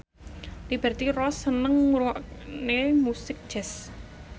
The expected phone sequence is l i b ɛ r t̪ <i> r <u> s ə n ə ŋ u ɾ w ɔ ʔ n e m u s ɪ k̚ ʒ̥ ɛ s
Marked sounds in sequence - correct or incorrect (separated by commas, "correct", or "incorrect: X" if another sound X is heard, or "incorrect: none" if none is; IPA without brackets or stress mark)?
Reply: correct, incorrect: ɔ